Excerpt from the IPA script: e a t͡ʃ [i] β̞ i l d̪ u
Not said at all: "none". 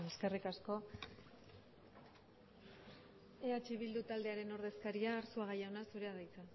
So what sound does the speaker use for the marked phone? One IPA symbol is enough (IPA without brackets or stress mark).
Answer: i